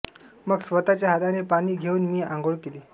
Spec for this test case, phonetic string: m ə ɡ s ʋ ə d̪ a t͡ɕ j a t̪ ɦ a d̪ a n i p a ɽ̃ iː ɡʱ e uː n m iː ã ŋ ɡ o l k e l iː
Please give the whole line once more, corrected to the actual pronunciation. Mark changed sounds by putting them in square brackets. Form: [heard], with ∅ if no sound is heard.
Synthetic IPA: m ə ɡ s ʋ ə [t̪] a t͡ɕ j a [∅] ɦ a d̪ a n [e] p a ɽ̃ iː ɡʱ e uː n m iː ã ŋ ɡ o [ɭ] k e l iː